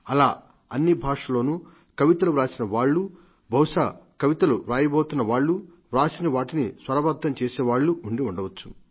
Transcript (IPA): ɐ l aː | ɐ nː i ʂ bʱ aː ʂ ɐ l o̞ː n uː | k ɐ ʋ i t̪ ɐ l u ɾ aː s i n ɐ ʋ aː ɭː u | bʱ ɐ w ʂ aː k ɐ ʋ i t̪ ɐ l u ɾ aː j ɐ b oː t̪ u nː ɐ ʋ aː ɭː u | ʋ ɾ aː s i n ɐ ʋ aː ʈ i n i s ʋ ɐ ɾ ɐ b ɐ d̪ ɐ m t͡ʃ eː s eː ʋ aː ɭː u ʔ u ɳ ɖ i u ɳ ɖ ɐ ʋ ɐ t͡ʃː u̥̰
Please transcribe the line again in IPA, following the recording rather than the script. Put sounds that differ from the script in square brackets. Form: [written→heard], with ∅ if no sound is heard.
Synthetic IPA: ɐ l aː | ɐ nː i [ʂ→∅] bʱ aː ʂ ɐ l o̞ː n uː | k ɐ ʋ i t̪ ɐ l u ɾ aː s i n ɐ ʋ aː ɭː u | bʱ ɐ w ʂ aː k ɐ ʋ i t̪ ɐ l u ɾ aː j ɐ b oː t̪ u nː ɐ ʋ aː ɭː u | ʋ ɾ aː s i n ɐ ʋ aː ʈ i n i s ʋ ɐ ɾ ɐ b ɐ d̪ ɐ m t͡ʃ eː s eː ʋ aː ɭː u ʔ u ɳ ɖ i u ɳ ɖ ɐ ʋ ɐ t͡ʃː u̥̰

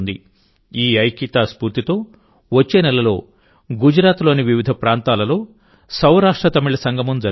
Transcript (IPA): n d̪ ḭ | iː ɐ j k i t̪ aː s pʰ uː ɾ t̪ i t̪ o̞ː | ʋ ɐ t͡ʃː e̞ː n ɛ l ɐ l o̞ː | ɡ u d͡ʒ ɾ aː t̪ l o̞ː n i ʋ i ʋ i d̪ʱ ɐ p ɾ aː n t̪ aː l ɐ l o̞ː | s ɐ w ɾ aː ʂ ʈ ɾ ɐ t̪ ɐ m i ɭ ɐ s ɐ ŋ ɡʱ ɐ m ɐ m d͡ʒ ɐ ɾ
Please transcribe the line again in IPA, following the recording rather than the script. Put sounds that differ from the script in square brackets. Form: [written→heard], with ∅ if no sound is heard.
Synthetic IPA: n d̪ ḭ | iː ɐ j k i t̪ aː s [pʰ→p] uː ɾ t̪ i t̪ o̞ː | ʋ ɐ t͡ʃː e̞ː n ɛ l ɐ l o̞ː | ɡ u d͡ʒ ɾ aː t̪ l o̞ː n i ʋ i ʋ i d̪ʱ ɐ p ɾ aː n t̪ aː l ɐ l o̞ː | s ɐ w ɾ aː ʂ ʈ ɾ ɐ t̪ ɐ m i ɭ ɐ s ɐ ŋ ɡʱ ɐ m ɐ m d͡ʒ ɐ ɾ

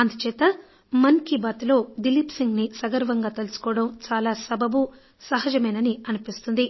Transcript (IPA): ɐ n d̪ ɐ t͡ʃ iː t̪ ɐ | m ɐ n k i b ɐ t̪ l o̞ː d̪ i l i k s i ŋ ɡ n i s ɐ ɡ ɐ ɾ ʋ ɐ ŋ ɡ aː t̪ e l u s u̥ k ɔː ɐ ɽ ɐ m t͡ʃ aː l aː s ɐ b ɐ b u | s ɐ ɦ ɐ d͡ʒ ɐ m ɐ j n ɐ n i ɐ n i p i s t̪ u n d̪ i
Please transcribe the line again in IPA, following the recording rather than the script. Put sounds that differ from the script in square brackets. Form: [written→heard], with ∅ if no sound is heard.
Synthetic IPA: ɐ n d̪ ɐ t͡ʃ [iː→ɛː] t̪ ɐ | m ɐ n k i b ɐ t̪ l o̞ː d̪ i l i [k→p] s i ŋ ɡ n i s ɐ ɡ ɐ ɾ ʋ ɐ ŋ ɡ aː t̪ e l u s u̥ k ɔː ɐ ɽ ɐ m t͡ʃ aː l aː s ɐ b ɐ b u | s ɐ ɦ ɐ d͡ʒ ɐ m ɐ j n ɐ n i ɐ n i p i s t̪ u n d̪ i

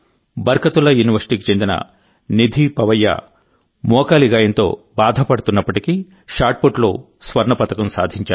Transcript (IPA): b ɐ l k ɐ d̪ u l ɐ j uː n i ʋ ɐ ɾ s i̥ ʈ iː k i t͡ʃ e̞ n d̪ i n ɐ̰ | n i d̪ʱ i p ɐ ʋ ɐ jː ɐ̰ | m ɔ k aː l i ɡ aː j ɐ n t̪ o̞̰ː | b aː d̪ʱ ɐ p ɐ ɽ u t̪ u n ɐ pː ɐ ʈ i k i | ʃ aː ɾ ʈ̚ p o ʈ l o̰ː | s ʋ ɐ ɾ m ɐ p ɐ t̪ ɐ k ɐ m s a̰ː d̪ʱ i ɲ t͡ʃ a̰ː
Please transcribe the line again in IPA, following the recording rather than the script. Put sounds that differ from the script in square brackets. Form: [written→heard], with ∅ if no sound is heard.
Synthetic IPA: b ɐ [l→ɾ] k ɐ [d̪→t̪] u l ɐ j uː n i ʋ ɐ ɾ s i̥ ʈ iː k i t͡ʃ e̞ n d̪ i n ɐ̰ | n i d̪ʱ i p ɐ ʋ ɐ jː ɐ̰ | m [ɔ→ɔː] k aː l i ɡ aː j ɐ n t̪ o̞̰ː | b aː d̪ʱ ɐ p ɐ ɽ u t̪ u [n→nː] ɐ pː ɐ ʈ i k i | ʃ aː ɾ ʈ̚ p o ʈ l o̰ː | s ʋ ɐ ɾ [m→ɳ] ɐ p ɐ t̪ ɐ k ɐ m s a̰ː d̪ʱ i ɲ t͡ʃ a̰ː

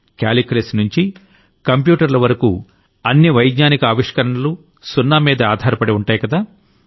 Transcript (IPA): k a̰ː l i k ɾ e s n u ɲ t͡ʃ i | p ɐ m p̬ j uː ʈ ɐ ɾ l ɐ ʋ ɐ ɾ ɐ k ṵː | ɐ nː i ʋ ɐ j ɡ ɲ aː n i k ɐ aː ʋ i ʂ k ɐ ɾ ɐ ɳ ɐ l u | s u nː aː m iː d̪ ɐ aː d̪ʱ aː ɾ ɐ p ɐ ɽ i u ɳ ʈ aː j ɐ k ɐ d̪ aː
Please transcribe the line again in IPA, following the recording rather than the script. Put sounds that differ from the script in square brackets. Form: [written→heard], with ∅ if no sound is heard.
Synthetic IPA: k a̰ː l i k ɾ e s n u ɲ t͡ʃ i | [p→k] ɐ m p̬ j uː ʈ ɐ ɾ l ɐ ʋ ɐ ɾ ɐ k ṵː | ɐ nː i ʋ ɐ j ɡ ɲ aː n i k ɐ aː ʋ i ʂ k ɐ ɾ ɐ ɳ ɐ l u | s u nː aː m iː d̪ ɐ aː d̪ʱ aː ɾ ɐ p ɐ ɽ i u ɳ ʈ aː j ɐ k ɐ d̪ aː

